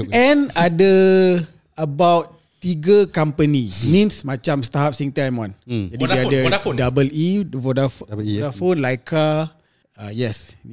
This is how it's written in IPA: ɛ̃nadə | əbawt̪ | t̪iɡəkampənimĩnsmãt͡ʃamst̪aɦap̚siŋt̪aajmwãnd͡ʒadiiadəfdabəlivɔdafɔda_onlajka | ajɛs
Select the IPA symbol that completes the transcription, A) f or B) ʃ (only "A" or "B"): A